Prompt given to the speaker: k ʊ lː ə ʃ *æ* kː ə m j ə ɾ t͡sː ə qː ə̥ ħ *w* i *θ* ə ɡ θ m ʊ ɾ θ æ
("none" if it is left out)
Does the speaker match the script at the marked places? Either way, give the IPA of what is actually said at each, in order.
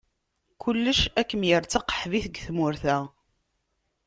æ, v, θ

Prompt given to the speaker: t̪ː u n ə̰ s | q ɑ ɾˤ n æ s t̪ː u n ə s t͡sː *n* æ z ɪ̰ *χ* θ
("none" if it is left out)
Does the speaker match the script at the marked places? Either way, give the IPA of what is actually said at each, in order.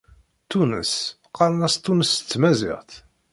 m, ʁ

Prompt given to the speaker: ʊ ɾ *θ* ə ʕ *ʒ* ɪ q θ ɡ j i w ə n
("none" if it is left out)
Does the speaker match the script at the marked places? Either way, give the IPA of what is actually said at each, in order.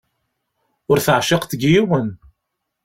θ, ʃ

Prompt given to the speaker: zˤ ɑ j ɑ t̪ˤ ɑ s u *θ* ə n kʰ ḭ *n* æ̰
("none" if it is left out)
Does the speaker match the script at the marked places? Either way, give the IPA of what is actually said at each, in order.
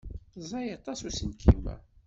s, m

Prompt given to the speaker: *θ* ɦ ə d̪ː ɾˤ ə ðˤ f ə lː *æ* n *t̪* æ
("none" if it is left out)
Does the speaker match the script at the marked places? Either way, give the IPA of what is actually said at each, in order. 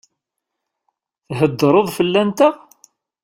θ, æ, t̪

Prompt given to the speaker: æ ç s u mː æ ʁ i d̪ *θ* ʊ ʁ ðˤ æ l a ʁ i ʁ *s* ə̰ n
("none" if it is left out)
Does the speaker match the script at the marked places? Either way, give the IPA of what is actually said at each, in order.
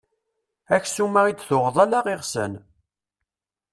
θ, s

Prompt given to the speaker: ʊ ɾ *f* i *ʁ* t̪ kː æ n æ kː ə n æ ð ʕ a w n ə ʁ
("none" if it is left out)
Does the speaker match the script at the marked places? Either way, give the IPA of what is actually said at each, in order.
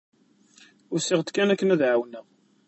s, ʁ

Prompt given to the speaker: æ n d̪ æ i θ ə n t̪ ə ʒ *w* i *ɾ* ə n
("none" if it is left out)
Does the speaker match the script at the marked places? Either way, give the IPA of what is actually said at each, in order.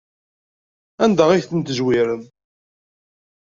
w, ɾ

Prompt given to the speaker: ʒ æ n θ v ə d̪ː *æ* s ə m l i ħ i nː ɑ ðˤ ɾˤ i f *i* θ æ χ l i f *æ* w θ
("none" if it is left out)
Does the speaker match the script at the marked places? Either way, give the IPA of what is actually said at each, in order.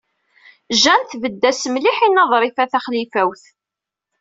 æ, æ, æ

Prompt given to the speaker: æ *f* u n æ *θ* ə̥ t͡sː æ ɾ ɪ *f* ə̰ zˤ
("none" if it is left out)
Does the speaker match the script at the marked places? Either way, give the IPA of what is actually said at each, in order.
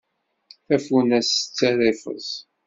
f, s, f

